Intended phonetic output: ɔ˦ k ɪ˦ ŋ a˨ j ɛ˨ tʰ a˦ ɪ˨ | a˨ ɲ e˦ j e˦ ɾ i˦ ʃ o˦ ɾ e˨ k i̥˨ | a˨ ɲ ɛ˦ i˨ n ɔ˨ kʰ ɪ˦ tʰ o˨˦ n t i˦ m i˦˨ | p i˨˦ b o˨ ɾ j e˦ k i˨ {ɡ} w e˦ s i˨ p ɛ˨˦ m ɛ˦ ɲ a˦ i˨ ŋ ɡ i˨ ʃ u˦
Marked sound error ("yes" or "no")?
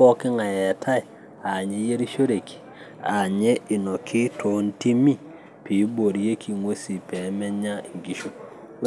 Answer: yes